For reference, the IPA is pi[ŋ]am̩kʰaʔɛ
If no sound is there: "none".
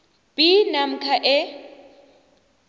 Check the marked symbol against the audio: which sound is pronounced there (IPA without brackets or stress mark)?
n